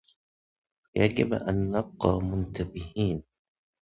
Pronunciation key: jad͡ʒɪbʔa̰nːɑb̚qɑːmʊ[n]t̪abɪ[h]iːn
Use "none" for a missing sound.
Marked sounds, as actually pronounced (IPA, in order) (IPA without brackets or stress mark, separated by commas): n, h